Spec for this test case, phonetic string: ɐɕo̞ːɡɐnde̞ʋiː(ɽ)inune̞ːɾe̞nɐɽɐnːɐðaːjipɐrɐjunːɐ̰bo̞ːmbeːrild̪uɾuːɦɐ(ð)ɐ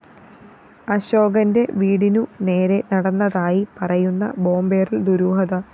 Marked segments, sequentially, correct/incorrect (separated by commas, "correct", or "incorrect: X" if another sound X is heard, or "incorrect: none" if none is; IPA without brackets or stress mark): correct, correct